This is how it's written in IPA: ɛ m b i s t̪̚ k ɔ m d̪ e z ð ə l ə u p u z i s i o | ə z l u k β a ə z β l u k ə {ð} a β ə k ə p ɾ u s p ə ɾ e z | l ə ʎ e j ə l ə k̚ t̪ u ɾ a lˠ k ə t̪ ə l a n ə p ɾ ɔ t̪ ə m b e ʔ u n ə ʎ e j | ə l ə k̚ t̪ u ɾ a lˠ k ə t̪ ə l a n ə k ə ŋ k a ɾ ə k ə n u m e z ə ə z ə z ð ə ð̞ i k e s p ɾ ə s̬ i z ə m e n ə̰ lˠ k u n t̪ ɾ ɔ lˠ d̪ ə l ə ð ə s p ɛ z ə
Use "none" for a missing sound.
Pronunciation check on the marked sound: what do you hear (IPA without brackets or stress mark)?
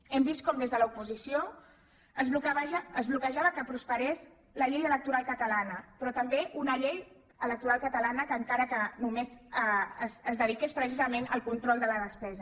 ʒ